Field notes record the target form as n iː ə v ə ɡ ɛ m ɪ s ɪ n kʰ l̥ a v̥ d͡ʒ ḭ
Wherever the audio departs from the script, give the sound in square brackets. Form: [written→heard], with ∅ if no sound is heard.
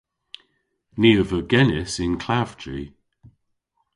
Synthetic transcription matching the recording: n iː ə v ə ɡ ɛ [m→n] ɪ s ɪ n kʰ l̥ a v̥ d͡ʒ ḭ

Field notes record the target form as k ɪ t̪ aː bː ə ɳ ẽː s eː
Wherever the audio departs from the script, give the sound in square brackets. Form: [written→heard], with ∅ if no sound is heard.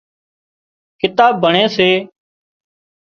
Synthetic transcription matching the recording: k ɪ t̪ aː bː ə ɳ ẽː s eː

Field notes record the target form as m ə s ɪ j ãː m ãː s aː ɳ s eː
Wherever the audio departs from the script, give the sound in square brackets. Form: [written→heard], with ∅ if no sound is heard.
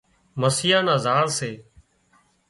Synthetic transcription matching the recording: m ə s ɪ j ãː [m→n] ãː [s→z] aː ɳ s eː

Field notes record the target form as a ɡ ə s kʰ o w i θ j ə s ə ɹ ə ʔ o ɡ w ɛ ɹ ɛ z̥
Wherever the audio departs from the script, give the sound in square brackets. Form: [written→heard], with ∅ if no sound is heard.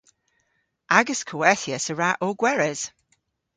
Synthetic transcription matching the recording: a ɡ ə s kʰ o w [i→ɛ] θ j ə s ə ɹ [ə→a] ʔ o ɡ w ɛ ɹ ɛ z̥

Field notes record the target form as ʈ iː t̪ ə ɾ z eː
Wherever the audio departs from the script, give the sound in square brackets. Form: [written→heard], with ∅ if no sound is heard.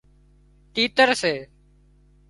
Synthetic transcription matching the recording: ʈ iː t̪ ə ɾ [z→s] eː

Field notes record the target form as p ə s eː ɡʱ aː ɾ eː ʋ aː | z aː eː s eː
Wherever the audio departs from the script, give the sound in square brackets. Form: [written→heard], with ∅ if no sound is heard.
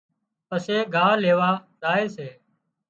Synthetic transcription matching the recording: p ə s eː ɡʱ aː [ɾ→l] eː ʋ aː | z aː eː s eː

